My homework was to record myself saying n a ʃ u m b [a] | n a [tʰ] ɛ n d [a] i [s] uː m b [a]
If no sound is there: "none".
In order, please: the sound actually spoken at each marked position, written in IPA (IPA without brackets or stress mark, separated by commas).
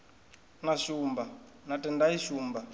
a, t, a, ʃ, a